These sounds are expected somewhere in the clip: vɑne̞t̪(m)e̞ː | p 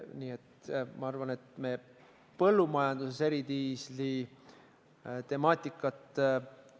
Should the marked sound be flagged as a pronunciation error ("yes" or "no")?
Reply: no